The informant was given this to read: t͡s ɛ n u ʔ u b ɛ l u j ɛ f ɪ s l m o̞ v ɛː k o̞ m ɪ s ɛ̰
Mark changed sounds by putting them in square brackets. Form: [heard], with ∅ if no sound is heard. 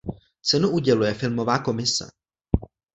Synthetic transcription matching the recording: t͡s ɛ n u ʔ u [ɟ] ɛ l u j ɛ f ɪ [∅] l m o̞ v [aː] k o̞ m ɪ s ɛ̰

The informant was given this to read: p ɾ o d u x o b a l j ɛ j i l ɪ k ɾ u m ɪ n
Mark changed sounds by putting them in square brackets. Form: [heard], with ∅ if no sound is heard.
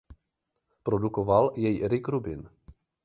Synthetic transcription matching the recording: p ɾ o d u [k] o [v] a l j ɛ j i [ɾ] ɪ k ɾ u [b] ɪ n

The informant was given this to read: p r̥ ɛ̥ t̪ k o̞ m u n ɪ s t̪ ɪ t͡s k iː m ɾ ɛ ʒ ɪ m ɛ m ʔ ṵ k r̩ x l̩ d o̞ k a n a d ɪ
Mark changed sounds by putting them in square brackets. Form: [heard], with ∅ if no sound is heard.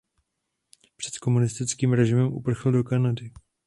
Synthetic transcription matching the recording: p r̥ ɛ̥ t̪ k o̞ m u n ɪ s t̪ ɪ t͡s k iː m ɾ ɛ ʒ ɪ m ɛ m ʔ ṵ [p] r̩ x l̩ d o̞ k a n a d ɪ

